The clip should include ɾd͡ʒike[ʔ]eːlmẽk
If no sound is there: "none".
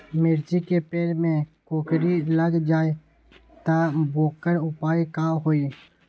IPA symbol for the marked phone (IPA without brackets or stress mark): p